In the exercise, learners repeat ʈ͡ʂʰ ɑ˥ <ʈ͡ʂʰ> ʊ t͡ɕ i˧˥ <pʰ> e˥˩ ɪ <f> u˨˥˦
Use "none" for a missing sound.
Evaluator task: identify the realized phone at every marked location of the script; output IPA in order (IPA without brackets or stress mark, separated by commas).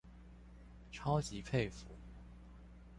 none, pʰ, f